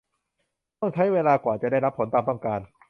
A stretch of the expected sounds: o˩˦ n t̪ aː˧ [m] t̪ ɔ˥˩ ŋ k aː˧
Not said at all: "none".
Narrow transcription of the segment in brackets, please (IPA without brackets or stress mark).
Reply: m